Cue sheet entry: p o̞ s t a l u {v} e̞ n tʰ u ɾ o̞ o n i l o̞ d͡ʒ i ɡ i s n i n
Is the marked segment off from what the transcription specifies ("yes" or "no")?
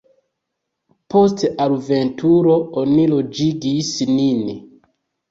no